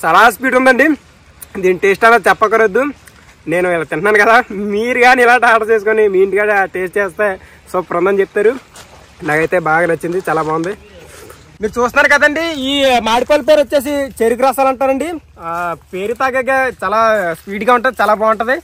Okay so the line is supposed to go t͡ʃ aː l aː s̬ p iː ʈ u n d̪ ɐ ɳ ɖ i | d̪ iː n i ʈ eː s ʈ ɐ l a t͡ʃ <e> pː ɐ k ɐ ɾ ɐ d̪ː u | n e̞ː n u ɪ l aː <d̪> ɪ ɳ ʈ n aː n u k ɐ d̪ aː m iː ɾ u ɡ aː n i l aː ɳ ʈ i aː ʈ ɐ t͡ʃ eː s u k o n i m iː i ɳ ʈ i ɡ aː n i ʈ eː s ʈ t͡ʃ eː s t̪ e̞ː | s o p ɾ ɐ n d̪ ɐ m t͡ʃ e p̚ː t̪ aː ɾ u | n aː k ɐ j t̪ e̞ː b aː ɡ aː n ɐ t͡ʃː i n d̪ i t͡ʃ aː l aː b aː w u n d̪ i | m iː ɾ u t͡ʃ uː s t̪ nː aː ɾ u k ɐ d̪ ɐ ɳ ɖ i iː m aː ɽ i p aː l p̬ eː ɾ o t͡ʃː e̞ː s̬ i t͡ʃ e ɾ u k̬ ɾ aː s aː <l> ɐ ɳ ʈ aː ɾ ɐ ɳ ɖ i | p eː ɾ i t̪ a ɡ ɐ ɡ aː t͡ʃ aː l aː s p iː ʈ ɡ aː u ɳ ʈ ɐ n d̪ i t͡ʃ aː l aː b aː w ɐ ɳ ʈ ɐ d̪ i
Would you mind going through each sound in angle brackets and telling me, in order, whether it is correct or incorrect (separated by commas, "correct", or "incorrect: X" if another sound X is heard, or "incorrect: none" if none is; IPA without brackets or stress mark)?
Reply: incorrect: ɛ, incorrect: t̪, correct